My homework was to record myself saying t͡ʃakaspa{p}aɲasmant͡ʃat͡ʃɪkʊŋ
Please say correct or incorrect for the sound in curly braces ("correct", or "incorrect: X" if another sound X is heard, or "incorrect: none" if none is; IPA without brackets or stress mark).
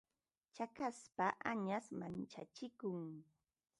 incorrect: ʔ